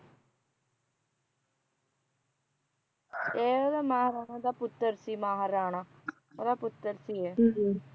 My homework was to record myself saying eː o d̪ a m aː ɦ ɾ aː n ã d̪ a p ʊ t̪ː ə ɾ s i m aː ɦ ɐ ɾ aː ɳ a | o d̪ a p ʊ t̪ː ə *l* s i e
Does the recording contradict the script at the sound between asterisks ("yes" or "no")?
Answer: yes